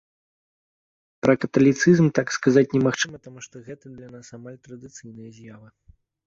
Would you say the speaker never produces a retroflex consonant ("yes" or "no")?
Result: no